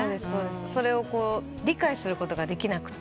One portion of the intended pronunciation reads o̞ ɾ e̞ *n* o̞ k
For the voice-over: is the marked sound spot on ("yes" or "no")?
no